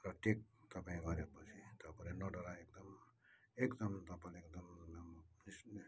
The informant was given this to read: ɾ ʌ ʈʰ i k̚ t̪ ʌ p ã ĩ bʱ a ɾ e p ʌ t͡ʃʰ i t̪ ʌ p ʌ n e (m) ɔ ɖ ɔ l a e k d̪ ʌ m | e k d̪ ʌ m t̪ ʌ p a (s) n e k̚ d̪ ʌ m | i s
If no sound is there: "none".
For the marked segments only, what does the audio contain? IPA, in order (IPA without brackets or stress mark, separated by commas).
n, none